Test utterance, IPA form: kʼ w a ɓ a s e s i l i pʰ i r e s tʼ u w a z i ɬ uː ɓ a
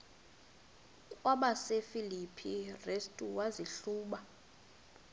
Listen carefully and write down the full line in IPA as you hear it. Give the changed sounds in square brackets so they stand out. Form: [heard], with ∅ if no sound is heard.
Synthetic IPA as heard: kʼ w a ɓ a s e [f] i l i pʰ i r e s tʼ u w a z i ɬ uː ɓ a